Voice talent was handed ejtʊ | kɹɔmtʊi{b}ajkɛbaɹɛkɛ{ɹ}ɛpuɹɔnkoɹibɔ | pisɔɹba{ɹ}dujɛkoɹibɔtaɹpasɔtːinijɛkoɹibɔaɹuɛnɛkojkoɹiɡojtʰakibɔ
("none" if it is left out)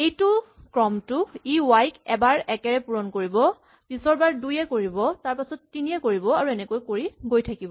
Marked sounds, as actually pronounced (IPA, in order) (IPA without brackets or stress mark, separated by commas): w, ɹ, ɹ